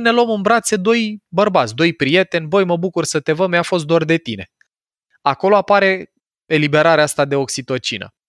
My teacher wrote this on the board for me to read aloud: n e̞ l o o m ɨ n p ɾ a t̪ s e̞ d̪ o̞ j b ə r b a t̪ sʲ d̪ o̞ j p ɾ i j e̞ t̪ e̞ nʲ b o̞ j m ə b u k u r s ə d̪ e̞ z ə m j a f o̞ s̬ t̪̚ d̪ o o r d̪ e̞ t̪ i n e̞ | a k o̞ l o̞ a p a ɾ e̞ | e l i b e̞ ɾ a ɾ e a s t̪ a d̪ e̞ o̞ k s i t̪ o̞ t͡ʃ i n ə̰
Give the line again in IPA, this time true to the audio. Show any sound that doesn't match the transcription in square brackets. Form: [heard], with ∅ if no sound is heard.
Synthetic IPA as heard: n e̞ l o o m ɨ n [b] ɾ a t̪ s e̞ d̪ o̞ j b ə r b a t̪ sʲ d̪ o̞ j p ɾ i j e̞ t̪ e̞ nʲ b o̞ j m ə b u k u r s ə [t̪] e̞ [v] ə m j a f o̞ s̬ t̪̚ d̪ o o r d̪ e̞ t̪ i n e̞ | a k o̞ l o̞ a p a ɾ e̞ | e l i b e̞ ɾ a ɾ e a s t̪ a d̪ e̞ o̞ k s i t̪ o̞ t͡ʃ i n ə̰